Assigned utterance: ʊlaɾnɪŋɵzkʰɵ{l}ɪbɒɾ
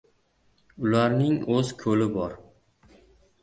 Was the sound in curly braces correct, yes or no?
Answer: yes